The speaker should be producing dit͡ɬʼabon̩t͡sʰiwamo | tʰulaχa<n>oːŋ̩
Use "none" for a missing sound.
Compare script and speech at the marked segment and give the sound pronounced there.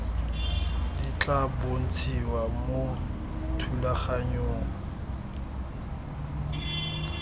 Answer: ɲ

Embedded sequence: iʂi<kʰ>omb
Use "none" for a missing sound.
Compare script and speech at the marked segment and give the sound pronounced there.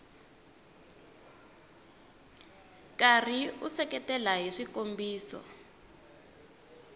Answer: k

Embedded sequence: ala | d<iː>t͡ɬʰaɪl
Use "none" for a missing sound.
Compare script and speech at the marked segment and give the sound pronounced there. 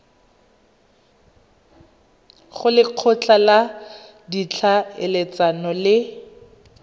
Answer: i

